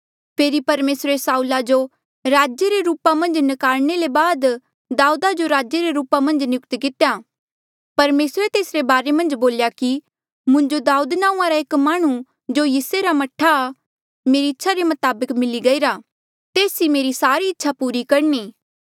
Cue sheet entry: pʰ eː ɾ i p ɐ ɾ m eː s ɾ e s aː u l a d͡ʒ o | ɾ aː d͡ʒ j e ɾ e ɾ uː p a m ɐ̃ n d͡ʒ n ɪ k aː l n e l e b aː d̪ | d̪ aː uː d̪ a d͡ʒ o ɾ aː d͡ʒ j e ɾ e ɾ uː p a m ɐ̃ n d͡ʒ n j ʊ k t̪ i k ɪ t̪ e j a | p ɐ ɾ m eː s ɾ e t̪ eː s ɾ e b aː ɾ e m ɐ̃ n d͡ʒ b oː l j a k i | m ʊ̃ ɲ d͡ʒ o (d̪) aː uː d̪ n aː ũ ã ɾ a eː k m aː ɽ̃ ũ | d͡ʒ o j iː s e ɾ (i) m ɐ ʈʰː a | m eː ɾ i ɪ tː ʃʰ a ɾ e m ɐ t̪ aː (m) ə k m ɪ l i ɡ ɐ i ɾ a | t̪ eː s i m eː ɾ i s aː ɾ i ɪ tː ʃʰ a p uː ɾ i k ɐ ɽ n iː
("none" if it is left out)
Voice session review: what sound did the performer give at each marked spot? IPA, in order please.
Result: d̪, a, b

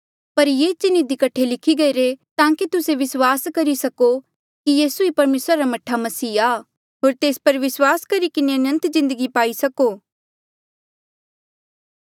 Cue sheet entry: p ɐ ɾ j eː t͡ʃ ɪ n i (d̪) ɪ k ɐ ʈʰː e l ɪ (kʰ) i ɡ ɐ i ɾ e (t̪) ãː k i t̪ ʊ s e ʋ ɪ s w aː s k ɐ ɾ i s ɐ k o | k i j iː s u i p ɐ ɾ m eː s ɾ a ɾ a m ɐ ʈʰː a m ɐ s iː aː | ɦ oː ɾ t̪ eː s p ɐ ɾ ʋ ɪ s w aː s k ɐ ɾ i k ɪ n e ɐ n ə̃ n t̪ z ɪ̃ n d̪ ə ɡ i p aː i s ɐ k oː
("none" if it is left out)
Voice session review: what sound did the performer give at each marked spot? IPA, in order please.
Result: d̪, kʰ, t̪

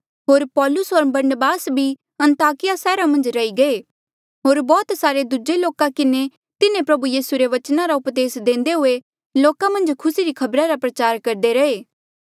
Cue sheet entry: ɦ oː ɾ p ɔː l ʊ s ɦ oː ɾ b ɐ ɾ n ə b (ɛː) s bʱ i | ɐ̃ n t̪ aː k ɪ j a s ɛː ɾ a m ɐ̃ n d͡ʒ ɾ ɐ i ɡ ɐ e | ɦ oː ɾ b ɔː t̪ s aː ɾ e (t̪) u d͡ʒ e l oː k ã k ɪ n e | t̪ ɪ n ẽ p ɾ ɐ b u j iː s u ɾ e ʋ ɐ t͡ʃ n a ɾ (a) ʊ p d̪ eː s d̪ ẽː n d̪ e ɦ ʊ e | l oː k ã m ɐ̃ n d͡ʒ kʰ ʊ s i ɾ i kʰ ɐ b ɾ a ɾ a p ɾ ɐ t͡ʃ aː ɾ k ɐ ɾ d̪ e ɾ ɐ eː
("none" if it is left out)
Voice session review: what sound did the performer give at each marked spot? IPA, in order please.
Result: aː, d̪, a

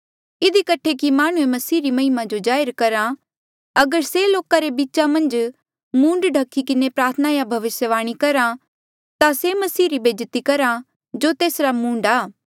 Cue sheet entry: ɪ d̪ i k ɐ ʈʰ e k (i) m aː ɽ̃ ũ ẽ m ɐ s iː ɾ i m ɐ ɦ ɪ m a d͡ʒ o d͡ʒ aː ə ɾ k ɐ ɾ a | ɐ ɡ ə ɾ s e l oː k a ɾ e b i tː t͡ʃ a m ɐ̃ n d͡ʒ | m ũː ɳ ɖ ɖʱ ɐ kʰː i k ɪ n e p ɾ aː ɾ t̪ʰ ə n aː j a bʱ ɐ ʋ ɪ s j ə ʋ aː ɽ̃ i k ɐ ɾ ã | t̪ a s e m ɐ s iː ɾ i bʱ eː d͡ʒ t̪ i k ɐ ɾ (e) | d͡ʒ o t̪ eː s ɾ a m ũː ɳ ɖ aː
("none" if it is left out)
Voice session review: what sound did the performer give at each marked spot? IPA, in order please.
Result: i, a

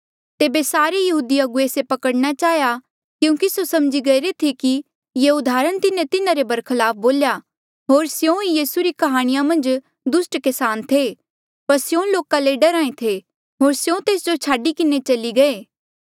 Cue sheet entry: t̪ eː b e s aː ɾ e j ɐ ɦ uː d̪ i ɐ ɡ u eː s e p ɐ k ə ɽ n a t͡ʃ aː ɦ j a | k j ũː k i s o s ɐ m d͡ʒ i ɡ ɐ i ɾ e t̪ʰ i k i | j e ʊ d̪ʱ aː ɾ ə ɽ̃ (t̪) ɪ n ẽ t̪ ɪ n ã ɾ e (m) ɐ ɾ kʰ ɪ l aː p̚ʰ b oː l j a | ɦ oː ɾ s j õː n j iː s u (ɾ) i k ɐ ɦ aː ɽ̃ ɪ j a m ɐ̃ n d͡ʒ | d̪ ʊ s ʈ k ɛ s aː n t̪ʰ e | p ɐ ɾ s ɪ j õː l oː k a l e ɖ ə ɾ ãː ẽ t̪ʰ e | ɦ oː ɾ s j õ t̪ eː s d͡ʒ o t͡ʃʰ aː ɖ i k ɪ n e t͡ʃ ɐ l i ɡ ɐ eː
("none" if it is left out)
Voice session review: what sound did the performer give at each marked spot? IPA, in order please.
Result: t̪, b, ɾ

